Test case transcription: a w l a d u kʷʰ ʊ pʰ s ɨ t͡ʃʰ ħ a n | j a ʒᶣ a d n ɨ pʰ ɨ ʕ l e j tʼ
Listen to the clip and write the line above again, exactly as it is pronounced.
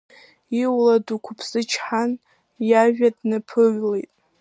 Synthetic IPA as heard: i w l a d u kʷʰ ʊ pʰ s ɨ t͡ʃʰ ħ a n | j a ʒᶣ a d n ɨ pʰ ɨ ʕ l e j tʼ